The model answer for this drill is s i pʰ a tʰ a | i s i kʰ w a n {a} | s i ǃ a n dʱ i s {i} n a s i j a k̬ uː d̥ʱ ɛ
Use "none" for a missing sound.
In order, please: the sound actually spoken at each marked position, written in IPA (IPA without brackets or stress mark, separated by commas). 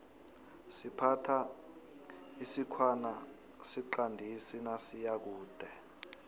a, i